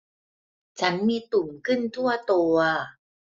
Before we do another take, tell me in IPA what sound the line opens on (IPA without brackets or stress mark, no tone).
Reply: t͡ɕʰ